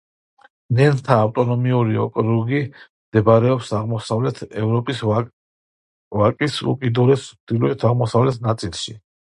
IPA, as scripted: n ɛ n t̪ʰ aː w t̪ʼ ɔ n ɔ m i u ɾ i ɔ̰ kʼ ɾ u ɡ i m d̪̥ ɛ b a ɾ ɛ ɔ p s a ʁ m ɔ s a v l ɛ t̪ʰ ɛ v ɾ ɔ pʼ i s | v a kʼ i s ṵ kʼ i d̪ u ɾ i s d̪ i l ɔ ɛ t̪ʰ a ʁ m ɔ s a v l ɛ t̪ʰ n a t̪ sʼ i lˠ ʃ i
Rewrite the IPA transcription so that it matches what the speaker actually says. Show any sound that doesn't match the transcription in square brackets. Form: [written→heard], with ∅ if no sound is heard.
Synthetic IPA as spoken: n ɛ n t̪ʰ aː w t̪ʼ ɔ n ɔ m i u ɾ i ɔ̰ kʼ ɾ u ɡ i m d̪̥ ɛ b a ɾ ɛ ɔ p s a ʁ m ɔ s a v l ɛ t̪ʰ ɛ v ɾ ɔ pʼ i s | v a kʼ i s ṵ kʼ i d̪ u ɾ [i→ɛ] s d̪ i l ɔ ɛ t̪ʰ a ʁ m ɔ s a v l ɛ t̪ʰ n a t̪ sʼ i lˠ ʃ i